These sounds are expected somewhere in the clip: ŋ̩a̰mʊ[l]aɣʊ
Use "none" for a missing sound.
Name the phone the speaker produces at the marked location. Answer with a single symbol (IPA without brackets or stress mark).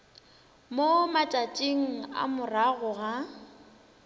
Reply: r